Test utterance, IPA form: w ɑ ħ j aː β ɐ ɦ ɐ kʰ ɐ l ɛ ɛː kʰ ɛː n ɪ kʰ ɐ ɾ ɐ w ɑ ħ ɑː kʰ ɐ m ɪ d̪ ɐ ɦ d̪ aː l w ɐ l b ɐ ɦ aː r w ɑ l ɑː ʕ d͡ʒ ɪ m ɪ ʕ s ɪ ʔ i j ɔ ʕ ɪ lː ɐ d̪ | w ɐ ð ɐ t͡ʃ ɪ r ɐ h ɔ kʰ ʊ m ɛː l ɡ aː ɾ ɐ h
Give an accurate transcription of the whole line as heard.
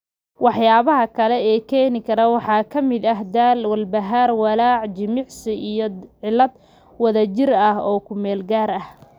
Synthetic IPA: w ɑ ħ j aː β ɐ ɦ ɐ kʰ ɐ l ɛ ɛː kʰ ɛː n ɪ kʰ ɐ ɾ ɐ w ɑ ħ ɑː kʰ ɐ m ɪ d̪ ɐ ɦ d̪ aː l w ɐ l b ɐ ɦ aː r w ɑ l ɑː ʕ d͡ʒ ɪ m ɪ ʕ s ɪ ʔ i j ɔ ʕ ɪ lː ɐ d̪ | w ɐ ð ɐ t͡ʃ ɪ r ɐ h ɔː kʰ ʊ m ɛː l ɡ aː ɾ ɐ h